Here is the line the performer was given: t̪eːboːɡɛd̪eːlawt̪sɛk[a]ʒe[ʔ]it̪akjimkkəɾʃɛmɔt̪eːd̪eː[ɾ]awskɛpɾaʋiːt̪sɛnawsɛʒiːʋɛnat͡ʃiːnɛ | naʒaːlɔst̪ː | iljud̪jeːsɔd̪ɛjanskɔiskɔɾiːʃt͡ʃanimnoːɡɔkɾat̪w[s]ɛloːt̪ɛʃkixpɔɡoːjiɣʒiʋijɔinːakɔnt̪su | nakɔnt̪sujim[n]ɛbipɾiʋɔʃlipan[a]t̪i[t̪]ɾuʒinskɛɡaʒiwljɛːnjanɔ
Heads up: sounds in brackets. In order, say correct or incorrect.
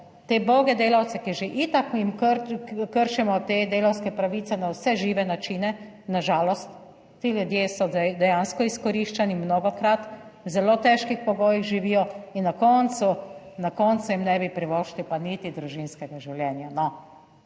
incorrect: i, correct, incorrect: l, incorrect: z, correct, incorrect: i, incorrect: d̪

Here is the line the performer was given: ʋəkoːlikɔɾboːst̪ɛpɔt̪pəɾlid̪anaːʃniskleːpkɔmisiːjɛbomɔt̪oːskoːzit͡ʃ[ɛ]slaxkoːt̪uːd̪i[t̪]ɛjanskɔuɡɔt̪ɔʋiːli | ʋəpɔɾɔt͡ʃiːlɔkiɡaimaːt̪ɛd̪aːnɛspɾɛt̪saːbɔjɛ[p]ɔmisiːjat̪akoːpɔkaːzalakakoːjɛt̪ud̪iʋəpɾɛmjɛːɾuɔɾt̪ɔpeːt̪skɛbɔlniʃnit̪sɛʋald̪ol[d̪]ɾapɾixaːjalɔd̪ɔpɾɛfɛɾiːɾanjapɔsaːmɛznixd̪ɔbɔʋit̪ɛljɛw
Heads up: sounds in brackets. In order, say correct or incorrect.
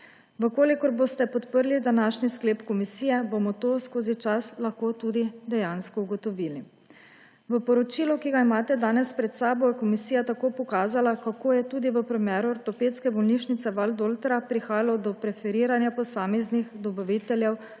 incorrect: a, incorrect: d̪, incorrect: k, incorrect: t̪

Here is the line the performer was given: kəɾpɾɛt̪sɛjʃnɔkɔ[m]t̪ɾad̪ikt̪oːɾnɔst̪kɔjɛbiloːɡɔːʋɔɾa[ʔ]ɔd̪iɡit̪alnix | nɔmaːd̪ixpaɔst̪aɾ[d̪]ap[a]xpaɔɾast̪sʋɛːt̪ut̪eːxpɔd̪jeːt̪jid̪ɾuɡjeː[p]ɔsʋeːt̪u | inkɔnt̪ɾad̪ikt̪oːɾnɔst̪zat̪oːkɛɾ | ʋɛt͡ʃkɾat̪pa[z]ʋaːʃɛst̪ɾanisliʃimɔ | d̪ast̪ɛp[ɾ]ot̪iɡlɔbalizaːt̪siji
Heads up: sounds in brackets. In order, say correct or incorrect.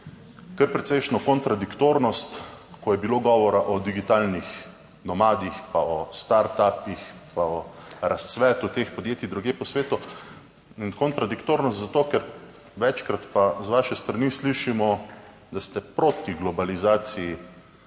incorrect: n, correct, incorrect: t̪, incorrect: i, correct, correct, correct

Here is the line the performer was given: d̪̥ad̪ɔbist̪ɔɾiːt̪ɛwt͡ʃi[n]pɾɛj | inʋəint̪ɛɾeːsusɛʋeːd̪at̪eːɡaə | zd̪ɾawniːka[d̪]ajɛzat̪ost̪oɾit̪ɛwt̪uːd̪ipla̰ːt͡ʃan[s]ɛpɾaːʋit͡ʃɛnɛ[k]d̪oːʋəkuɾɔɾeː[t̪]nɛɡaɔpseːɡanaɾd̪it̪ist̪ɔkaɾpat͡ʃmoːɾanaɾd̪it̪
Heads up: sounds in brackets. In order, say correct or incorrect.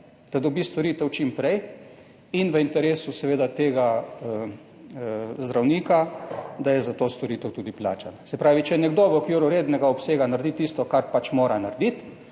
incorrect: m, correct, correct, incorrect: ɡ, incorrect: d̪

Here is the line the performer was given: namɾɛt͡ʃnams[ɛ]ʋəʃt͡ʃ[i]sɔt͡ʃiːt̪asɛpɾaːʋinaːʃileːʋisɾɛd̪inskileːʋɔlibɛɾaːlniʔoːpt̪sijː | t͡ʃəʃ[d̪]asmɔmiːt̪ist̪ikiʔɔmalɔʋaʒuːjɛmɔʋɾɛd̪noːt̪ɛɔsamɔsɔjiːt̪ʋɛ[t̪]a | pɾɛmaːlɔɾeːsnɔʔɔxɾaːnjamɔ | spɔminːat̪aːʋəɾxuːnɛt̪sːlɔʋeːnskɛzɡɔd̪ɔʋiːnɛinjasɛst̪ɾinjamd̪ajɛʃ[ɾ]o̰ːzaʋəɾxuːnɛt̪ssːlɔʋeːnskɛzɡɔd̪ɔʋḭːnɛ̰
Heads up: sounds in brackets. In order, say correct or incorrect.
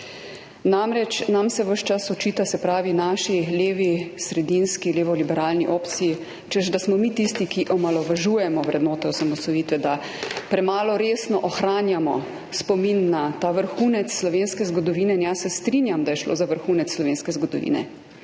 correct, incorrect: a, correct, incorrect: d̪, incorrect: l

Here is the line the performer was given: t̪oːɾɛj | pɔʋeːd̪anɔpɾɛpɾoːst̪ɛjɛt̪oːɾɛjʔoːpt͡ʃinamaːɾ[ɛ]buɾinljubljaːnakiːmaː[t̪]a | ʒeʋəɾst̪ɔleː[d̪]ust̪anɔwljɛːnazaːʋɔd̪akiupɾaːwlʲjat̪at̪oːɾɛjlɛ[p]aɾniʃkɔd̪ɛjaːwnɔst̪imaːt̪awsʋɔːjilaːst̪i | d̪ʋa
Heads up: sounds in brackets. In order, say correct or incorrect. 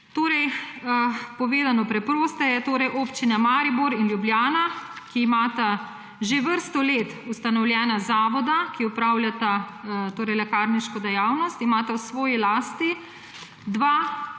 incorrect: i, correct, incorrect: t̪, incorrect: k

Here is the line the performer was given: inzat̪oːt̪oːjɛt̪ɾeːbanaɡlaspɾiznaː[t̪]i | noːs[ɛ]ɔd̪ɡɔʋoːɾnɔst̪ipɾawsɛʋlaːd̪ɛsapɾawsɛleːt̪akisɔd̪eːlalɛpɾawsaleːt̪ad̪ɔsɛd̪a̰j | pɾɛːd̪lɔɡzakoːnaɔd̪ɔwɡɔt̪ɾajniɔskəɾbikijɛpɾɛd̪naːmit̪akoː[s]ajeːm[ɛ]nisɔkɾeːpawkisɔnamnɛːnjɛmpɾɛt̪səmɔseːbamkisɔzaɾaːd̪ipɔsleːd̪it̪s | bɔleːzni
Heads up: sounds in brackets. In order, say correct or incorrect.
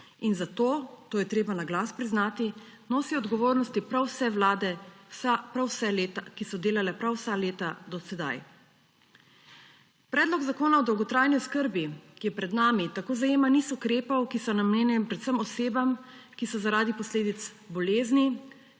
correct, incorrect: i, incorrect: z, incorrect: a

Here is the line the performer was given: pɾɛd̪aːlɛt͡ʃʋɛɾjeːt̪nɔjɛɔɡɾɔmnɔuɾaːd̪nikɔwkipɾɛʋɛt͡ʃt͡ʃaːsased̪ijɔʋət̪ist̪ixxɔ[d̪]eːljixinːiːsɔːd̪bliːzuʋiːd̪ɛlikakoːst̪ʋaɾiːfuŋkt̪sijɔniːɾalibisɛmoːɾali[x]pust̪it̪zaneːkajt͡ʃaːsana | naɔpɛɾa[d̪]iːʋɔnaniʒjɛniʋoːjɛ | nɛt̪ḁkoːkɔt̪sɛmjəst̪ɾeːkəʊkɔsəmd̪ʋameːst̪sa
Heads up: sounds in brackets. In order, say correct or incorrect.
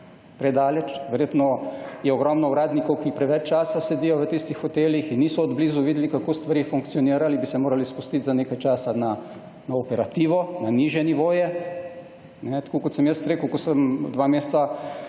incorrect: t̪, incorrect: s, incorrect: t̪

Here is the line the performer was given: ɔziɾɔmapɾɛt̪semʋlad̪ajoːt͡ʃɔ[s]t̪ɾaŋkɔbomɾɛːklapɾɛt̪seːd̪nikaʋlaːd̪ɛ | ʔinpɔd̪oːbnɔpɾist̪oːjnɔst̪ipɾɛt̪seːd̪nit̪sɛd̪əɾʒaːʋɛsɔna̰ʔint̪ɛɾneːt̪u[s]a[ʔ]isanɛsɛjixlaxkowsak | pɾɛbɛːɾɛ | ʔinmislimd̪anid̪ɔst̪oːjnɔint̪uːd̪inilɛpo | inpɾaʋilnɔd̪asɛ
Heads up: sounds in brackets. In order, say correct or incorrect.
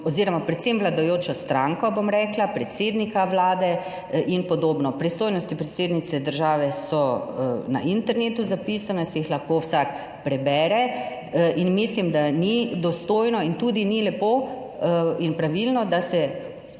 correct, incorrect: z, incorrect: p

